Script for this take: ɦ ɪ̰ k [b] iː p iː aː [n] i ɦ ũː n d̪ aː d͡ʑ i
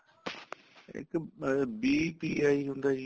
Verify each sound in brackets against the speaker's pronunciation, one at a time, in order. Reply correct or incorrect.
correct, incorrect: none

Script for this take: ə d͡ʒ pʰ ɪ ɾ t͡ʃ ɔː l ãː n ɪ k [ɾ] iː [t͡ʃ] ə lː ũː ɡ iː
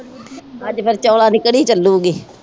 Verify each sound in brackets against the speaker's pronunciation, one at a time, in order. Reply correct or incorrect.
incorrect: ɽ, correct

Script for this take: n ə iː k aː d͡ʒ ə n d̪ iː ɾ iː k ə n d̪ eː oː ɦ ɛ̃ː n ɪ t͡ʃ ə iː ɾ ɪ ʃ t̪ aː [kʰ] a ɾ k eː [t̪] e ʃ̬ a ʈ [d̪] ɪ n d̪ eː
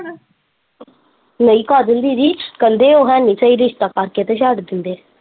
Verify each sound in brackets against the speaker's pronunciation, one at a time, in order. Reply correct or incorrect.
incorrect: k, correct, correct

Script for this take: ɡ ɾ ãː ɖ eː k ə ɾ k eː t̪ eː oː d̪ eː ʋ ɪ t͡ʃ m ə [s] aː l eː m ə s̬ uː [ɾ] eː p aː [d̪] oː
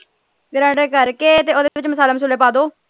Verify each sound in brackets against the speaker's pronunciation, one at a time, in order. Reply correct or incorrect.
correct, incorrect: l, correct

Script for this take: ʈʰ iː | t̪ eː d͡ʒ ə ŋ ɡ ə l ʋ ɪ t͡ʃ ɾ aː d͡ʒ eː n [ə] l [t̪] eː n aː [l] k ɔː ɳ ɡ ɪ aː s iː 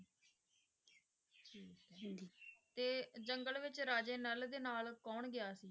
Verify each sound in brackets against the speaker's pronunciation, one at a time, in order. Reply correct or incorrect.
correct, incorrect: d̪, correct

